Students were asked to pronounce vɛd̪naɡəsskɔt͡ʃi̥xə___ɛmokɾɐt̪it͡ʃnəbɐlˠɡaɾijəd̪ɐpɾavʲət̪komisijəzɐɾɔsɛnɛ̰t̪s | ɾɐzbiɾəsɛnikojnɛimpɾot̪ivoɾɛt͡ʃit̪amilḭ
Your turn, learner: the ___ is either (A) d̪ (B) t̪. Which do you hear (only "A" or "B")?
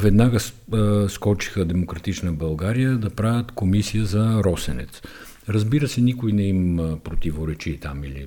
A